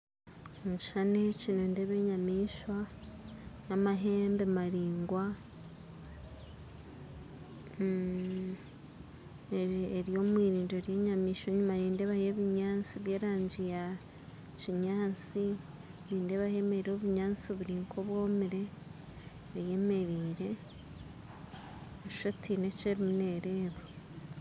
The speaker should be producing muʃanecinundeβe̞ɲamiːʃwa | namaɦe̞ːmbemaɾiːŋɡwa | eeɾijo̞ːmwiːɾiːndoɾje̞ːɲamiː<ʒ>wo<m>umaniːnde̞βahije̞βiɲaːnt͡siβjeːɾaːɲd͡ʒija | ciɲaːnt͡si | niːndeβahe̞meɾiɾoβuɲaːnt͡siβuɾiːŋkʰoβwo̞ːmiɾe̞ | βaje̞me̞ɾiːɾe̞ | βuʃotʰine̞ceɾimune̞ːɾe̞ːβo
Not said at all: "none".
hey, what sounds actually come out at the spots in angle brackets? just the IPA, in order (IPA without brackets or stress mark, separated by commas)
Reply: ʃ, ɲ